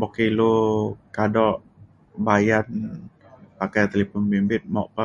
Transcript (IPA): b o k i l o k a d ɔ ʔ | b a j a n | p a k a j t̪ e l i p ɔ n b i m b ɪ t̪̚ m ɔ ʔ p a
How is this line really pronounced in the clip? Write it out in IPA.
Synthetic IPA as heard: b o k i l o k a d ɔ ʔ | b a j a n | p a k a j t̪ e l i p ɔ n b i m b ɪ t̪̚ m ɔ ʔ p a